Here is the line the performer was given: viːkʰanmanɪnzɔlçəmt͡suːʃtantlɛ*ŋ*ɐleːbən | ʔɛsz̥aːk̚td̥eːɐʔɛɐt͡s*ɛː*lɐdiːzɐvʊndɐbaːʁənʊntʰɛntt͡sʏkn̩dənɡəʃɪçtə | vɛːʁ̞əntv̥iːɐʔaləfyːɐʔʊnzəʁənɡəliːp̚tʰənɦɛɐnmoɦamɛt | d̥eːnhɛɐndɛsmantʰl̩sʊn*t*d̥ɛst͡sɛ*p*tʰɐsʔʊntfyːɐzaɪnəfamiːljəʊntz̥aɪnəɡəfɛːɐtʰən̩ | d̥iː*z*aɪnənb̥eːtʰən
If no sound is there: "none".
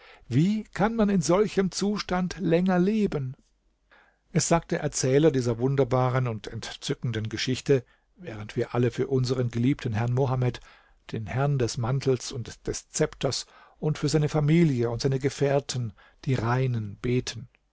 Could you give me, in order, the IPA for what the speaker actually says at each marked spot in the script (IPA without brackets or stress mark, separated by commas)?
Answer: ŋ, ɛː, t, p, ʁ